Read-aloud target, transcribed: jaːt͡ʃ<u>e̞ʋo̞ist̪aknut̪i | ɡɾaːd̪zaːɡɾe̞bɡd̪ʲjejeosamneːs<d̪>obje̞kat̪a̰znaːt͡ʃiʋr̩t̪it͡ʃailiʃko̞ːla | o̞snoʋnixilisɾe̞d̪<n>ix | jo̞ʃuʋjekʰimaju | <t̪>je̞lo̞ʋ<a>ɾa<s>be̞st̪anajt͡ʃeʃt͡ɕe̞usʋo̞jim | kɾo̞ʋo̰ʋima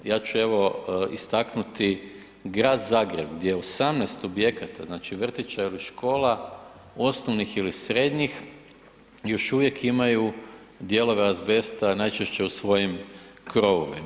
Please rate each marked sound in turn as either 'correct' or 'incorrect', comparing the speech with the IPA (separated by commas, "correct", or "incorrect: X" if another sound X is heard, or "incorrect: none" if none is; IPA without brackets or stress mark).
correct, incorrect: t̪, incorrect: ɲ, incorrect: d̪, incorrect: e, incorrect: z